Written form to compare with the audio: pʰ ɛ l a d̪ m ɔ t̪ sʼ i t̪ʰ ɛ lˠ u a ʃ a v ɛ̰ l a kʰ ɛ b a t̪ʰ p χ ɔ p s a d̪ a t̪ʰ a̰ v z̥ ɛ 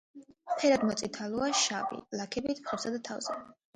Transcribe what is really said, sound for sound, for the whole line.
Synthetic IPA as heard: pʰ ɛ ɾ a d̪ m ɔ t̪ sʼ i t̪ʰ a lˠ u a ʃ a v ḭ l a kʰ ɛ b i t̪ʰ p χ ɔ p s a d̪ a t̪ʰ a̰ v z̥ ɛ